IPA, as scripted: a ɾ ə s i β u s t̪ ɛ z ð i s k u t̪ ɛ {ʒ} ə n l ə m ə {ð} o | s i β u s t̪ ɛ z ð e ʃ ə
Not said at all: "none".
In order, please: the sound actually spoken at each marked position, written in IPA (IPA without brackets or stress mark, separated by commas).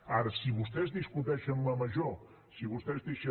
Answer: ʃ, ʒ